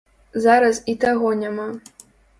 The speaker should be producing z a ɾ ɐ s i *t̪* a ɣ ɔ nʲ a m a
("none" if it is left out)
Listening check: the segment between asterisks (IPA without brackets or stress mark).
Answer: t̪